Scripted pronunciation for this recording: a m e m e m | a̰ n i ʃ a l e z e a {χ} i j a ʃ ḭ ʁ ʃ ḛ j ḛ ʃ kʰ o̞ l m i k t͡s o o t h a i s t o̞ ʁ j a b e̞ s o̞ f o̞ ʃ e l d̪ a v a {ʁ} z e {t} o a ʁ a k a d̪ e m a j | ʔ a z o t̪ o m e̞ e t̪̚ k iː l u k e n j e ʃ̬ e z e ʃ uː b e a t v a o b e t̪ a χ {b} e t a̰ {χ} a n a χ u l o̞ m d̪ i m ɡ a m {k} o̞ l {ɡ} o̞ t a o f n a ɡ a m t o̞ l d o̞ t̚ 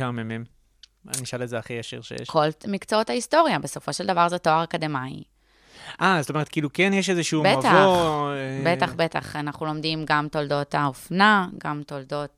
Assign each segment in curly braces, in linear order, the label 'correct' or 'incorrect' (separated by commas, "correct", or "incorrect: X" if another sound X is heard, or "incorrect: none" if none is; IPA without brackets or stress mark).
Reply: correct, correct, correct, correct, correct, incorrect: t, incorrect: d